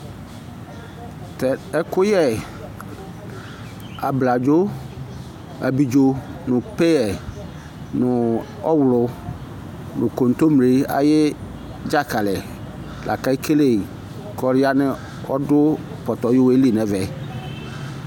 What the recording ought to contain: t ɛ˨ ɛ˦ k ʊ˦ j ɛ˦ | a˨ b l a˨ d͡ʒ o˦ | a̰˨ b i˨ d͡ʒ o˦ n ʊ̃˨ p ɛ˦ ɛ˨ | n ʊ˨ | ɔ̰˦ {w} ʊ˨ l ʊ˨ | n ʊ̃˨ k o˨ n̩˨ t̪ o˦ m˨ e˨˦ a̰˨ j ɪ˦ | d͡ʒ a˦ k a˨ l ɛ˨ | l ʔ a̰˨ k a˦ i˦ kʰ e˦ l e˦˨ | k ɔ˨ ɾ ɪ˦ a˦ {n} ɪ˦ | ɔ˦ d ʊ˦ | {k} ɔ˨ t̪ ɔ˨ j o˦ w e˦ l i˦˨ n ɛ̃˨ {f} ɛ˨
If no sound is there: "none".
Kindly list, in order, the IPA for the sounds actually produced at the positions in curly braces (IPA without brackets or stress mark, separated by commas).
w, n, p, v